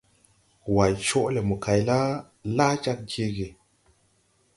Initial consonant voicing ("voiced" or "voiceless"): voiced